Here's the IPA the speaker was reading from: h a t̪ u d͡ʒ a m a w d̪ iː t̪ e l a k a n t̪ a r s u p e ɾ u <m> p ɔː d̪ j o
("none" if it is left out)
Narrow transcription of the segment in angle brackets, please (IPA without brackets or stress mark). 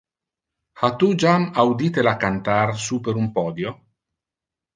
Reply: m